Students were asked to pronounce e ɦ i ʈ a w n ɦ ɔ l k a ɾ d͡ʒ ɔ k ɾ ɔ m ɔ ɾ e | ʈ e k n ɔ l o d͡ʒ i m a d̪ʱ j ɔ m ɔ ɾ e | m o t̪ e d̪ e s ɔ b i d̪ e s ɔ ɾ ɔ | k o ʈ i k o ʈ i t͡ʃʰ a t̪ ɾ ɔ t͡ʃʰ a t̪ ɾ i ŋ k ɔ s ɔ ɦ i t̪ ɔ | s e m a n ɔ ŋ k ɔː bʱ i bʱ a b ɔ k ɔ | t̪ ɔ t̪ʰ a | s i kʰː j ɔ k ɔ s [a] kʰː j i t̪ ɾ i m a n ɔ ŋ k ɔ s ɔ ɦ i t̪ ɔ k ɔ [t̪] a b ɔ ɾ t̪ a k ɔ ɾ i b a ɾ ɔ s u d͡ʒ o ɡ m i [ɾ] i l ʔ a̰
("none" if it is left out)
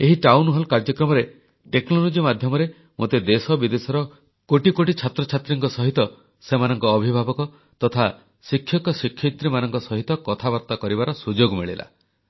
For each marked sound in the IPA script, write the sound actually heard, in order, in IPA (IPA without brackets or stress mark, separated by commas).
i, t̪ʰ, ɭ